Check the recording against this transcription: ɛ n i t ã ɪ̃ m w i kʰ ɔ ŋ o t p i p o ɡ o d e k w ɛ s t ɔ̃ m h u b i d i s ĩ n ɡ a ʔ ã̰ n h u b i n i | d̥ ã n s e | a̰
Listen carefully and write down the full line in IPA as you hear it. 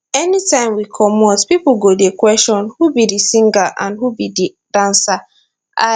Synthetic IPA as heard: ɛ n i t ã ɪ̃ m w i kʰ ɔ m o t p i p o ɡ o d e k w ɛ s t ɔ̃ n h u b i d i s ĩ ŋ ɡ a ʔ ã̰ n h u b i d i | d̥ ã n s a | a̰